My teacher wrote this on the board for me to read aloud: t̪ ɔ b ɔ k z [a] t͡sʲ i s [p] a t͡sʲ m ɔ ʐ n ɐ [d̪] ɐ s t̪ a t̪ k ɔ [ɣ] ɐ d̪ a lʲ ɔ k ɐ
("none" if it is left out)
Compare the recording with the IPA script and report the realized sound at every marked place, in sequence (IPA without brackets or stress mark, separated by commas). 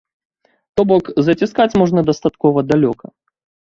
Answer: ɐ, k, d̪, v